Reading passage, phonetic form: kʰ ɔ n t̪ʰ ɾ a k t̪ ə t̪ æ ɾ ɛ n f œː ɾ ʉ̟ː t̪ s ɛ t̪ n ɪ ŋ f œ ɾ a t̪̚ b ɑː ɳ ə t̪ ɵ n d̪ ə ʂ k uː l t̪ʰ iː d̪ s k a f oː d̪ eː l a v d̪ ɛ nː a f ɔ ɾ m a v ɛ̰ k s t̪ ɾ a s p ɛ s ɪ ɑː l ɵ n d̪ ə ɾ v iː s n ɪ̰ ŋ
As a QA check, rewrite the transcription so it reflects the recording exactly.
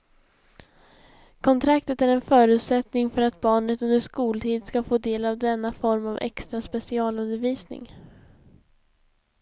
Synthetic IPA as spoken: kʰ ɔ n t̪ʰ ɾ a k t̪ ə t̪ æ ɾ ɛ n f œː ɾ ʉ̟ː t̪ s ɛ t̪ n ɪ ŋ f œ ɾ a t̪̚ b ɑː ɳ ə t̪ ɵ n d̪ ə ʂ k uː l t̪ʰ iː d̪ s k a f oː d̪ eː l a v d̪ ɛ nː a f ɔ ɾ m a v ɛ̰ k s t̪ ɾ a s p ɛ s ɪ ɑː l ɵ n d̪ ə ɾ v iː s n ɪ̰ ŋ

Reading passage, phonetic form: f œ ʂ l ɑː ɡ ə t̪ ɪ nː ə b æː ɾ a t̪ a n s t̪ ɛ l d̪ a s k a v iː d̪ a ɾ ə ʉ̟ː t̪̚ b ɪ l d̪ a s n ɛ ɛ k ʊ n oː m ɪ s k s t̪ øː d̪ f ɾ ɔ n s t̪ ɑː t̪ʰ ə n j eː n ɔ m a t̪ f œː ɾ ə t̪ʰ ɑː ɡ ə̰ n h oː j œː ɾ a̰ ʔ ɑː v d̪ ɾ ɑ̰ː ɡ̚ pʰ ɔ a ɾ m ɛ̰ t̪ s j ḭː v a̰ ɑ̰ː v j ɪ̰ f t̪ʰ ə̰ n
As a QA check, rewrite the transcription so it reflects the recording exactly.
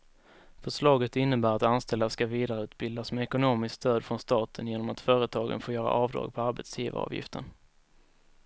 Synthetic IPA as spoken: f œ ʂ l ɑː ɡ ə t̪ ɪ nː ə b æː ɾ a t̪ a n s t̪ ɛ l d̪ a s k a v iː d̪ a ɾ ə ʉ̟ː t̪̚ b ɪ l d̪ a s m ɛ ɛ k ʊ n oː m ɪ s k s t̪ øː d̪ f ɾ ɔ n s t̪ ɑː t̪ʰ ə n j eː n ɔ m a t̪ f œː ɾ ə t̪ʰ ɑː ɡ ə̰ n f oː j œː ɾ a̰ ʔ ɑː v d̪ ɾ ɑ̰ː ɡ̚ pʰ ɔ a ɾ b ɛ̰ t̪ s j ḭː v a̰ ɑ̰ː v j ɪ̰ f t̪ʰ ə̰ n

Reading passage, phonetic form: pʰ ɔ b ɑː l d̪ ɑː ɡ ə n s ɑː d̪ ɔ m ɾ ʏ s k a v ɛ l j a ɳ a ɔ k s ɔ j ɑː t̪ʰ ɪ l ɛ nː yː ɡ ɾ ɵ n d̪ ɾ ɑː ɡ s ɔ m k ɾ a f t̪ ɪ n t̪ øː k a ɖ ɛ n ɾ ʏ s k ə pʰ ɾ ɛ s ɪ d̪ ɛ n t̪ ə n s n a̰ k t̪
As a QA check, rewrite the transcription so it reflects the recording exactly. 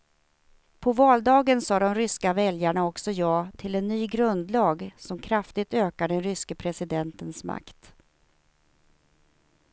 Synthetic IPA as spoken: pʰ ɔ v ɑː l d̪ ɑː ɡ ə n s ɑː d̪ ɔ m ɾ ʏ s k a v ɛ l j a ɳ a ɔ k s ɔ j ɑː t̪ʰ ɪ l ɛ nː yː ɡ ɾ ɵ n d̪ l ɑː ɡ s ɔ m kʰ ɾ a f t̪ ɪ t̪ øː k a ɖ ɛ n ɾ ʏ s k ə pʰ ɾ ɛ s ɪ d̪ ɛ n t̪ ə n s m a̰ k t̪

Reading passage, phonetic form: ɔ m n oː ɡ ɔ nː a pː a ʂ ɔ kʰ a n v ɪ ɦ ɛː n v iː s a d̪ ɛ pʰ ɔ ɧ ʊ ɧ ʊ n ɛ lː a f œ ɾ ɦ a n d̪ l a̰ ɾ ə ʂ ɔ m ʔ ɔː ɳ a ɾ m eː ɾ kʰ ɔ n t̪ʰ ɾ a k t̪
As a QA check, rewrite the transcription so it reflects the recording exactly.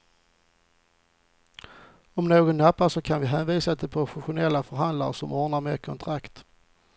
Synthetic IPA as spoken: ɔ m n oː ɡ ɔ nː a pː a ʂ ɔ kʰ a n v ɪ ɦ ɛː n v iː s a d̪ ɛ pʰ ɔ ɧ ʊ ɧ ʊ n ɛ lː a f œ ɾ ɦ a n d̪ l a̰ ɾ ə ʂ ɔ m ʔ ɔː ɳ a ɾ m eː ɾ kʰ ɔ n t̪ʰ ɾ a k t̪

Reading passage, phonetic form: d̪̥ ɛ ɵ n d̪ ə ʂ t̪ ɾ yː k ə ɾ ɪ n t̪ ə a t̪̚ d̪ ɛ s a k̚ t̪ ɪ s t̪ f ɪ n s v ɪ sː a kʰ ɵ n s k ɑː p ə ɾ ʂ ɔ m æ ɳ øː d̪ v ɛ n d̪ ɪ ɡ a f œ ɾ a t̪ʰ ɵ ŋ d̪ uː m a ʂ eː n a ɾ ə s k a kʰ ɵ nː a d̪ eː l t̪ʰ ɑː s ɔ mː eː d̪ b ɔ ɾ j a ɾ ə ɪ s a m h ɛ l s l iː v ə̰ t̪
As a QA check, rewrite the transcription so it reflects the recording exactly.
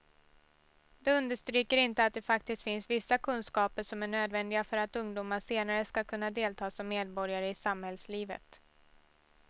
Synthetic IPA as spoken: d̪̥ ɛ ɵ n d̪ ə ʂ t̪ ɾ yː k ə ɾ ɪ n t̪ ə a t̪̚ d̪ ɛ f a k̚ t̪ ɪ s t̪ f ɪ n s v ɪ sː a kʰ ɵ n s k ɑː p ə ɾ ʂ ɔ m æ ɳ øː d̪ v ɛ n d̪ ɪ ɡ a f œ ɾ a t̪ ɵ ŋ d̪ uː m a ʂ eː n a ɾ ə s k a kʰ ɵ nː a d̪ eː l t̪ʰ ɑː s ɔ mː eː d̪ b ɔ ɾ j a ɾ ə ɪ s a m h ɛ l s l iː v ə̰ t̪

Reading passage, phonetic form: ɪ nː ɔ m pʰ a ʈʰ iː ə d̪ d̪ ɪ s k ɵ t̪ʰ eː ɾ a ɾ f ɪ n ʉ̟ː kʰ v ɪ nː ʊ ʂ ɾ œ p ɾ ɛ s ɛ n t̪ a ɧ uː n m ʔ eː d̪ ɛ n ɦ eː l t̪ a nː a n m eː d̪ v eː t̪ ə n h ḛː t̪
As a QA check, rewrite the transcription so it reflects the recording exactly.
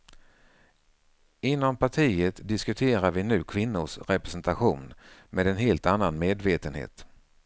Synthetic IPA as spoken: ɪ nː ɔ m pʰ a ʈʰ iː ə t̪ d̪ ɪ s k ɵ t̪ʰ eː ɾ a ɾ v ɪ n ʉ̟ː kʰ v ɪ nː ʊ ʂ ɾ ɛ p ɾ ɛ s ɛ n t̪ a ɧ uː n m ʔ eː d̪ ɛ n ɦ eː l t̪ a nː a n m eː d̪ v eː t̪ ə n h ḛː t̪

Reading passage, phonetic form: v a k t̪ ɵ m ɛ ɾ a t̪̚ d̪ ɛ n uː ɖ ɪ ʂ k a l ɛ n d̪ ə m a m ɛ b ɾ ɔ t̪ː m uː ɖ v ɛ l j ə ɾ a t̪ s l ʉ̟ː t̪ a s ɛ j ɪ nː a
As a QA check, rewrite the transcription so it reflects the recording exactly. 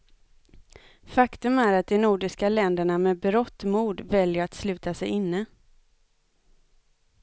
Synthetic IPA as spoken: f a k t̪ ɵ m æ ɾ a t̪̚ d̪ ɛ n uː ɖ ɪ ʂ k a l ɛ n d̪ ə ɳ a m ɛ b ɾ ɔ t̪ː m uː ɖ v ɛ l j ə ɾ a t̪ s l ʉ̟ː t̪ a s ɛ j ɪ nː ə

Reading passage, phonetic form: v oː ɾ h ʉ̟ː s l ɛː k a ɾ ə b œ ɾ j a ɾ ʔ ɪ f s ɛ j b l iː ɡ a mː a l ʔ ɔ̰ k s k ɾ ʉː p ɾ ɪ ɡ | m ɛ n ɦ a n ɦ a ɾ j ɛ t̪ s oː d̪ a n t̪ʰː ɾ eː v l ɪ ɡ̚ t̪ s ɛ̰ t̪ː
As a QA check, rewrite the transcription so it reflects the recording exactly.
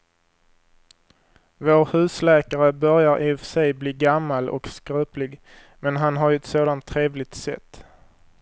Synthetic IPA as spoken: v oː ɾ h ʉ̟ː s l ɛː k a ɾ ə b œ ɾ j a ɾ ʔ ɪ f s ɛ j b l iː ɡ a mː a l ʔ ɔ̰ k s k ɾ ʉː p l ɪ ɡ | m ɛ n ɦ a n ɦ a ɾ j ɛ t̪ s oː d̪ a n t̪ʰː ɾ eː v l ɪ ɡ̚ t̪ s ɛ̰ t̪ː

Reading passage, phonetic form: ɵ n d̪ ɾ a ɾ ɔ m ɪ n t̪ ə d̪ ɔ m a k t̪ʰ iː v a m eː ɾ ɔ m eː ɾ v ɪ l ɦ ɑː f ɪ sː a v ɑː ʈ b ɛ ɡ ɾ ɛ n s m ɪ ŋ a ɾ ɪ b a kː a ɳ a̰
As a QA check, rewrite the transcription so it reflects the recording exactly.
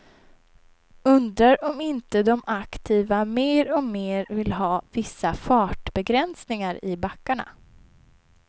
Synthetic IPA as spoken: ɵ n d̪ ɾ a ɾ ɔ m ɪ n t̪ ə d̪ ɔ m a k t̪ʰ iː v a m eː ɾ ɔ m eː ɾ v ɪ l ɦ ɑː v ɪ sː a f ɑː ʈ b ɛ ɡ ɾ ɛ n s n ɪ ŋ a ɾ ɪ b a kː a ɳ a̰

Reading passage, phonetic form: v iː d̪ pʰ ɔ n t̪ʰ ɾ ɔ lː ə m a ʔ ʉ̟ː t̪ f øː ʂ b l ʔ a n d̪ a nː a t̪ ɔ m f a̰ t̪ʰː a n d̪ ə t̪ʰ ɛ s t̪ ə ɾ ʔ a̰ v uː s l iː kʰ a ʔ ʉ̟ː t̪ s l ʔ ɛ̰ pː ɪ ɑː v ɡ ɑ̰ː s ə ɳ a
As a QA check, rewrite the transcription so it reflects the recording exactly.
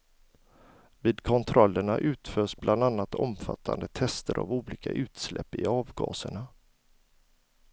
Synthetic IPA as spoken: v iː d̪ kʰ ɔ n t̪ʰ ɾ ɔ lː ə ɳ a ʔ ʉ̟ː t̪ f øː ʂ b l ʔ a n d̪ a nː a t̪ ɔ m f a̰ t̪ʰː a n d̪ ə t̪ʰ ɛ s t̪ ə ɾ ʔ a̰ v uː l iː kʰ a ʔ ʉ̟ː t̪ s l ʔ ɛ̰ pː ɪ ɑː v ɡ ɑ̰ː s ə ɳ a

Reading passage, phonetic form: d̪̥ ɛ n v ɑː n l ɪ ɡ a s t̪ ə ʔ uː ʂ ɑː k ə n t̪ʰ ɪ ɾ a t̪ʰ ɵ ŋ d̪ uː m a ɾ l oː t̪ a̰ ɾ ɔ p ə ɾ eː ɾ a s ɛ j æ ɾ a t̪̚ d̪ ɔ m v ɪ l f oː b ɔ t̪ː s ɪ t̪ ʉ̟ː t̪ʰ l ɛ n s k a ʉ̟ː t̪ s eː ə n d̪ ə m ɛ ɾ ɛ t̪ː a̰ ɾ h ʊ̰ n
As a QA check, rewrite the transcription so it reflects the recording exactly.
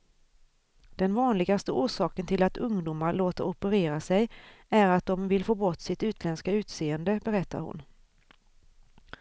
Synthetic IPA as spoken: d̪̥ ɛ n v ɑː n l ɪ ɡ a s t̪ ə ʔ uː ʂ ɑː k ə n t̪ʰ ɪ l a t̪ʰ ɵ ŋ d̪ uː m a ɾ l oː t̪ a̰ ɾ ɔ p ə ɾ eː ɾ a s ɛ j æ ɾ a t̪̚ d̪ ɔ m v ɪ l f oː b ɔ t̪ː s ɪ t̪ ʉ̟ː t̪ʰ l ɛ n s k a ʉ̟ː t̪ s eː ə n d̪ ə b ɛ ɾ ɛ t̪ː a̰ ɾ h ʊ̰ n

